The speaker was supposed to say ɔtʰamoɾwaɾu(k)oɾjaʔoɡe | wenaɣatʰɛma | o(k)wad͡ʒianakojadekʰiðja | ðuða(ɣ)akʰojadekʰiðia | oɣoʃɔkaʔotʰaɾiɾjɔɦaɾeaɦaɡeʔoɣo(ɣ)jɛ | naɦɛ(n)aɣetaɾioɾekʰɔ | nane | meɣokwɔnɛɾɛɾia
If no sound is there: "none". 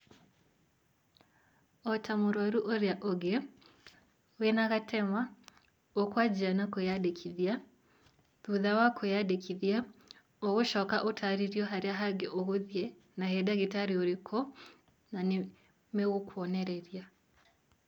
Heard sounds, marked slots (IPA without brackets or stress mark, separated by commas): ʔ, k, w, ð, d